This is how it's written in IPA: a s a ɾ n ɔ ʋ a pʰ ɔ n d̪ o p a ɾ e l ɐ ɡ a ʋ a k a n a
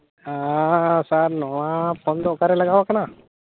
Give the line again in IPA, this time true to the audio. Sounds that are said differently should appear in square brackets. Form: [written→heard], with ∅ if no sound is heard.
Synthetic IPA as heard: a s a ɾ n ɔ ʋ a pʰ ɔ n d̪ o [p→k] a ɾ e l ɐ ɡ a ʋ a k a n a